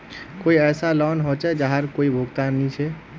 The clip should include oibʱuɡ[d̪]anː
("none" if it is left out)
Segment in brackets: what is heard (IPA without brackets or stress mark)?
t̪